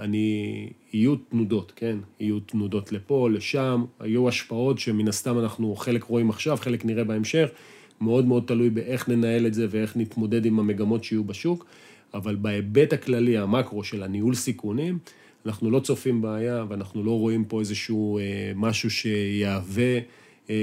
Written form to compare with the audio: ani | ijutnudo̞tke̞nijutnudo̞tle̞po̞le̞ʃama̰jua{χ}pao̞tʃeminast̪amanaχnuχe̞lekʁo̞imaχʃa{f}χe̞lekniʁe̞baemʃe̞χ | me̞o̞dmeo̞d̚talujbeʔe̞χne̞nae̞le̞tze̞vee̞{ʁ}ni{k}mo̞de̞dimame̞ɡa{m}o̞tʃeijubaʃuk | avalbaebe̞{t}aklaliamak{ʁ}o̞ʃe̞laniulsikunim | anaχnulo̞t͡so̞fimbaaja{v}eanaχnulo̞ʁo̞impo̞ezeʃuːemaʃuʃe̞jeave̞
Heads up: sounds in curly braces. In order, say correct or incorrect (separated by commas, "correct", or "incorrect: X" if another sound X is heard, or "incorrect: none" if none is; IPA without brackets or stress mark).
incorrect: ʃ, incorrect: v, incorrect: χ, incorrect: t, correct, correct, correct, correct